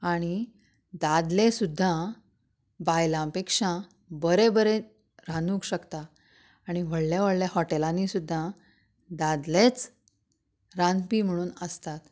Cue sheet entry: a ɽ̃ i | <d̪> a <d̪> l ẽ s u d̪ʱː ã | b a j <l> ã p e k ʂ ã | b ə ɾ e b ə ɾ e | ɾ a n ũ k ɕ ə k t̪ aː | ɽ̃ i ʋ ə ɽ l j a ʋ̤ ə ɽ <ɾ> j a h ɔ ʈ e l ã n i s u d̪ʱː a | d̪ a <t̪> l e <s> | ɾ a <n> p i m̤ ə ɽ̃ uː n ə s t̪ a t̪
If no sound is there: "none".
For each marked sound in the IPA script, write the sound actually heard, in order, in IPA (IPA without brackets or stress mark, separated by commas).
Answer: d̪, d̪, l, l, d̪, t͡s, n